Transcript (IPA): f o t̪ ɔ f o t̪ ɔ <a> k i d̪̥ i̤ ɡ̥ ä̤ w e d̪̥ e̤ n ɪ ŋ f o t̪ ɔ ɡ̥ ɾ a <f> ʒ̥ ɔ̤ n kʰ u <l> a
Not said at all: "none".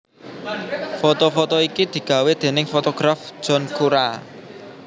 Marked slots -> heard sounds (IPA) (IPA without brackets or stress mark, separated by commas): i, f, ɾ